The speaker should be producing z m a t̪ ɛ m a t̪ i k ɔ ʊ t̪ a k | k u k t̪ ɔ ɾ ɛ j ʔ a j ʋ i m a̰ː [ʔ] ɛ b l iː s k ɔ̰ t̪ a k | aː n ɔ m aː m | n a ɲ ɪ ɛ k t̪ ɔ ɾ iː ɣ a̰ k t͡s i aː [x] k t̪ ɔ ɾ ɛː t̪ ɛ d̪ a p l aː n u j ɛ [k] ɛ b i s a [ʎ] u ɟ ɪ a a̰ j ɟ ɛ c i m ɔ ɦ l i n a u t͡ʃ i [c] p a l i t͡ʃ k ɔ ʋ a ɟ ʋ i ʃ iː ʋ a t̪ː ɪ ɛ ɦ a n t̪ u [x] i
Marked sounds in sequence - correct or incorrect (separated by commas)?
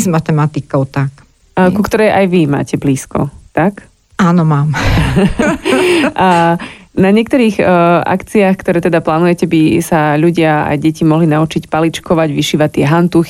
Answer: incorrect, correct, incorrect, correct, correct, correct